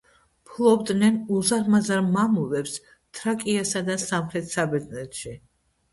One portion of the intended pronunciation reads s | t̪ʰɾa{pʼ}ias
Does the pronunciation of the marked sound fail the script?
yes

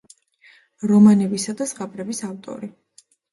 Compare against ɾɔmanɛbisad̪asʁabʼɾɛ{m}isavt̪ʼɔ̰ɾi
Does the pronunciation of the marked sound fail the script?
yes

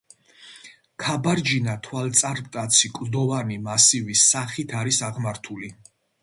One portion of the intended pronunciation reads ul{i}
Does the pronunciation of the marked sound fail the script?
no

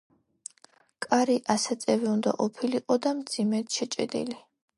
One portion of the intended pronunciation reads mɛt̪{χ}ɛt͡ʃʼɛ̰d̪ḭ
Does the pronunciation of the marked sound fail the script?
yes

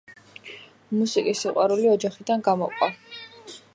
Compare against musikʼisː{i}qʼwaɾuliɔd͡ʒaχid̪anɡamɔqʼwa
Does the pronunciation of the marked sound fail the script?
no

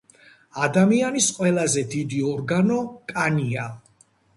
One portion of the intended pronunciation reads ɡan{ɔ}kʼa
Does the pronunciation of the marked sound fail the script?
no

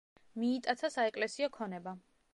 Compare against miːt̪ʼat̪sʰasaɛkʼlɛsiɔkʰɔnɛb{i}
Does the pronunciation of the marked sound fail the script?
yes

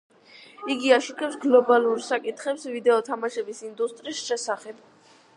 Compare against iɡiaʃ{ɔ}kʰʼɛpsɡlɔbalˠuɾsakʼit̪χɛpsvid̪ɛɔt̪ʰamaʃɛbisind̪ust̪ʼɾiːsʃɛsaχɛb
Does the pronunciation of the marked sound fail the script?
yes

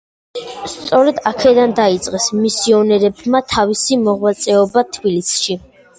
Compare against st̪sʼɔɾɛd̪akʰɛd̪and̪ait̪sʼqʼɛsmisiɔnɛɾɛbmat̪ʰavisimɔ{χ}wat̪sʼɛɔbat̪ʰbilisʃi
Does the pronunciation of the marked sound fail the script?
yes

